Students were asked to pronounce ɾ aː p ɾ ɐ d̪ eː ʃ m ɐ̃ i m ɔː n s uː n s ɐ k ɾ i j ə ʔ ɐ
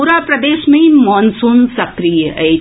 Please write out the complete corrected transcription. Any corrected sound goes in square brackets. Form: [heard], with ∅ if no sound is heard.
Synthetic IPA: ɾ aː p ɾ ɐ d̪ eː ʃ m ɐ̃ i m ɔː n s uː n s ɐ k ɾ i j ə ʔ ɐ